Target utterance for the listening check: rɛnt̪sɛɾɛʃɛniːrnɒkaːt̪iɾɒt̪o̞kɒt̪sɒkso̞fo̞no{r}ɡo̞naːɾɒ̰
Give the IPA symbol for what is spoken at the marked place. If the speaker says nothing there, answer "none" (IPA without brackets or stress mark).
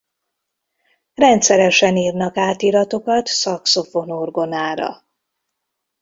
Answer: r